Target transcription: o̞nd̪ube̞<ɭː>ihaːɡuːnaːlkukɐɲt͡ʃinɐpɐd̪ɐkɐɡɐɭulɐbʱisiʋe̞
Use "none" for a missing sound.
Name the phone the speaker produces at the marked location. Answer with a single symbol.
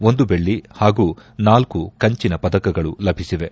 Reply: ɭː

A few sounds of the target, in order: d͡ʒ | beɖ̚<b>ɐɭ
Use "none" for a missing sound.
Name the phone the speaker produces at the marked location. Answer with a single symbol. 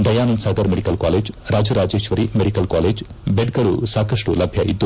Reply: ɡ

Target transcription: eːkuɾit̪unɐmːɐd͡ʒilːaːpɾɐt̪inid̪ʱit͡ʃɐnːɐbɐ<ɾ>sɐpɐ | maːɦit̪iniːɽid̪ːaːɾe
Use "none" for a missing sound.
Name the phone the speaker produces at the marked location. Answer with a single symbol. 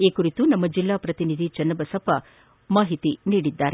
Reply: none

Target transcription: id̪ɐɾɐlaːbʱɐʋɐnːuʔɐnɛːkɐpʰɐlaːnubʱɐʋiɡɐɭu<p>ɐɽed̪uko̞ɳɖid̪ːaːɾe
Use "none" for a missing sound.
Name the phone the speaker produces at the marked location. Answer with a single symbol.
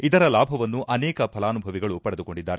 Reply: p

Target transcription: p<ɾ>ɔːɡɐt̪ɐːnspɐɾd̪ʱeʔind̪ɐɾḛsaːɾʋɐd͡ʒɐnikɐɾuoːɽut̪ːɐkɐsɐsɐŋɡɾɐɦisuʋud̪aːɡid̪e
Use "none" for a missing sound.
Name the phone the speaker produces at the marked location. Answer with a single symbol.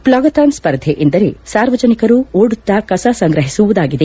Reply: l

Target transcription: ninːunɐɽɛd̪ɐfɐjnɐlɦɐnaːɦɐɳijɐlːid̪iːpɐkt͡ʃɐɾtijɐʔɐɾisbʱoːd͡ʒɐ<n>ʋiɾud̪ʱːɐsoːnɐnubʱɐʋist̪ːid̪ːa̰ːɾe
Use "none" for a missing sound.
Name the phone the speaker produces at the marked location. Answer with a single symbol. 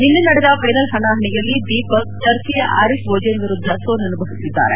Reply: n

